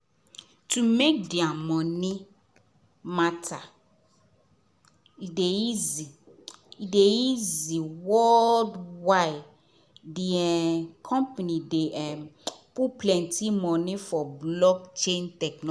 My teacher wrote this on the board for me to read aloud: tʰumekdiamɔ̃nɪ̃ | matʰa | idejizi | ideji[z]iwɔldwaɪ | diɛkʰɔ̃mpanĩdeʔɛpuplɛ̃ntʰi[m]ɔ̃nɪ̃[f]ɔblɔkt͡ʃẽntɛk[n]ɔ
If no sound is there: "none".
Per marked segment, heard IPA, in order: z, m, f, n

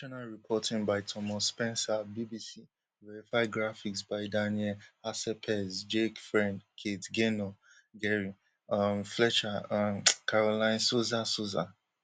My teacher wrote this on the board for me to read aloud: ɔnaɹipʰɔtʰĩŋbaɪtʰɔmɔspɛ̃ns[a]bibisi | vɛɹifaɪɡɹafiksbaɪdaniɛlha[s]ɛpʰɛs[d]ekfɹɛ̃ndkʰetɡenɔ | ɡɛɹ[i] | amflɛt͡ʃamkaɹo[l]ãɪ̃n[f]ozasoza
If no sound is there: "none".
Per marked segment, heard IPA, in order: a, s, d͡ʒ, i, l, s

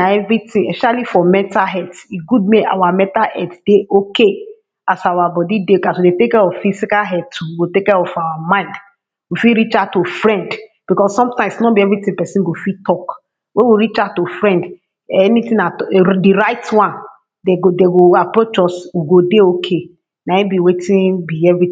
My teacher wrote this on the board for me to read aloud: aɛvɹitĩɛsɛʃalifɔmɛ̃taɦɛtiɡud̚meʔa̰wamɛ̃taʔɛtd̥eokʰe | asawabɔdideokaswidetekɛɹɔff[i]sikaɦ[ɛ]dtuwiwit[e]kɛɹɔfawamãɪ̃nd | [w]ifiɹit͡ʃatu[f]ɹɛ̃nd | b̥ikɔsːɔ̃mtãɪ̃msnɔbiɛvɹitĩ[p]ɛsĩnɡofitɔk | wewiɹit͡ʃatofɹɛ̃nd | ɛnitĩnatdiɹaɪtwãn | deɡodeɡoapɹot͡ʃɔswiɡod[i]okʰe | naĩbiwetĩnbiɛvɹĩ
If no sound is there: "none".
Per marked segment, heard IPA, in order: i, ɛ, e, w, f, p, e

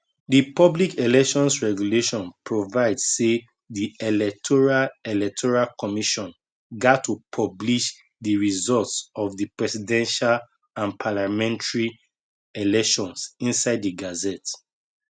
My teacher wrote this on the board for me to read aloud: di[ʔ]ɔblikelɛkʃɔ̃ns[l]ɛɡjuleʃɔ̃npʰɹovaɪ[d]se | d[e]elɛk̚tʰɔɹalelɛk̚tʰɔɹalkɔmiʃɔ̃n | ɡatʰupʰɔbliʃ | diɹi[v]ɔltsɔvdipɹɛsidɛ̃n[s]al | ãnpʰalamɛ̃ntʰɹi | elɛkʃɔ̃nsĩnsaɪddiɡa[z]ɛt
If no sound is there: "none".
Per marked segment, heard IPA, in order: p, ɹ, d, i, z, ʃ, z

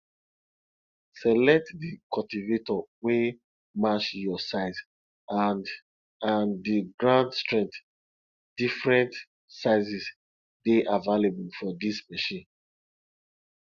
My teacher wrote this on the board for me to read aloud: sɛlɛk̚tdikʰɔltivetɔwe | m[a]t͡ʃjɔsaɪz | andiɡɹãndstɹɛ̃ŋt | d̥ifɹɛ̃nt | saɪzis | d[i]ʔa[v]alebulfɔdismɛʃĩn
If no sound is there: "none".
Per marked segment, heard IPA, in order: a, e, v

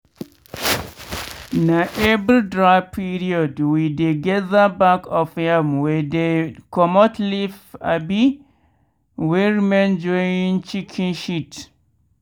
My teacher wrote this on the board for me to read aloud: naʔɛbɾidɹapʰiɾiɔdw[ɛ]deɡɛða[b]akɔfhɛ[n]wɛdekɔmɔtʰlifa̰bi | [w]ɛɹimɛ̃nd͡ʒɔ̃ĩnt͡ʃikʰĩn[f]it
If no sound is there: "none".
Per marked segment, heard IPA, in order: i, b, m, w, ʃ

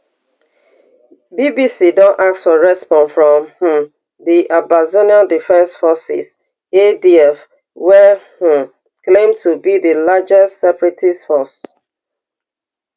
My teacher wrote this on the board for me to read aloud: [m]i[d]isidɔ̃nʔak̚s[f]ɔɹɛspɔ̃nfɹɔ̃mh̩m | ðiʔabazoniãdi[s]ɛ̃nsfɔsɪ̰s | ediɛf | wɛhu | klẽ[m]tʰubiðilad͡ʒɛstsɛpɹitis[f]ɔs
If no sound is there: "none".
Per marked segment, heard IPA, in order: b, b, f, f, m, f

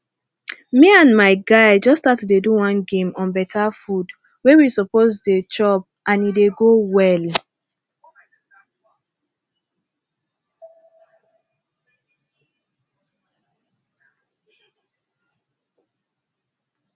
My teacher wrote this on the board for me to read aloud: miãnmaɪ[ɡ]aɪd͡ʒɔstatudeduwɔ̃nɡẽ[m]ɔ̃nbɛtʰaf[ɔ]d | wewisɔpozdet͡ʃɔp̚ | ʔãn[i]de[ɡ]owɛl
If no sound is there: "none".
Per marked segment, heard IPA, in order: ɡ, m, u, i, ɡ

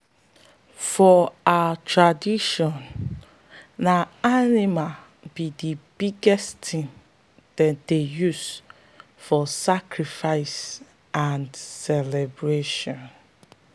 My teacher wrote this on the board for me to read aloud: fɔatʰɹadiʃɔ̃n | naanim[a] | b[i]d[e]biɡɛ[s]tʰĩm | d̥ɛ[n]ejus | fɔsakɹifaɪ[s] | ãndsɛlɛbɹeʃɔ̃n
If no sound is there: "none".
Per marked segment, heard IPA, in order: a, i, i, s, d, s

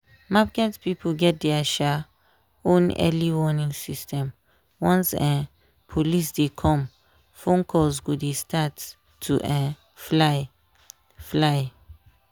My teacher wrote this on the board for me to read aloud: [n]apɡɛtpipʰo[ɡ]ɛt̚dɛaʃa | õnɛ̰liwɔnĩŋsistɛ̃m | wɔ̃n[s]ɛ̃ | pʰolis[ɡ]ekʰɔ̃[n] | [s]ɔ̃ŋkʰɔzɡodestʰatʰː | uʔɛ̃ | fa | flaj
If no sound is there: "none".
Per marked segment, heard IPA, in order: m, ɡ, s, d, m, f

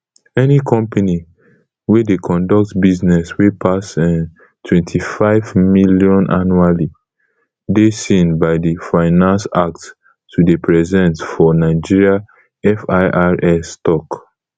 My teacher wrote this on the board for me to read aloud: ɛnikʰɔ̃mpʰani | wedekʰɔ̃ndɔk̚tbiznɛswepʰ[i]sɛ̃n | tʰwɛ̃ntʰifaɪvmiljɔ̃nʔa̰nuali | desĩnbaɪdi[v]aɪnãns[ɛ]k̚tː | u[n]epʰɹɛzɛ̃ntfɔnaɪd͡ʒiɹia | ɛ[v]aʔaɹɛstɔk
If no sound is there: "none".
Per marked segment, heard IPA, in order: a, f, a, d, f

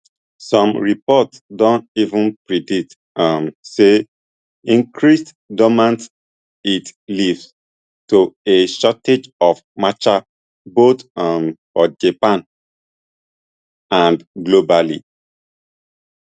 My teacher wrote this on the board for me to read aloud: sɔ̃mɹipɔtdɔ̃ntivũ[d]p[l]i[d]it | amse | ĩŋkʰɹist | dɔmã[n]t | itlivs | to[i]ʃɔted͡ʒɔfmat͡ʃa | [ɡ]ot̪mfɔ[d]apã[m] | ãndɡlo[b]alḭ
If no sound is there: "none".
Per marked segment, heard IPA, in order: n, ɹ, d, n, e, b, d͡ʒ, n, b

